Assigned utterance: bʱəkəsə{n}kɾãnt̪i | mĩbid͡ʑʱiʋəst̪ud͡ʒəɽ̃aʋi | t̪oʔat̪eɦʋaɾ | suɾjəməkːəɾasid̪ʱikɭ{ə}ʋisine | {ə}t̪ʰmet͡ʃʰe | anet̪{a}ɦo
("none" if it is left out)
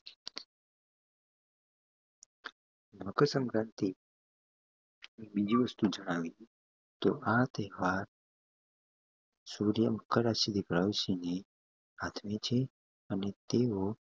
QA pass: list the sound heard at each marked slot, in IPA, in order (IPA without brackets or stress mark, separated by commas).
ŋ, a, a, e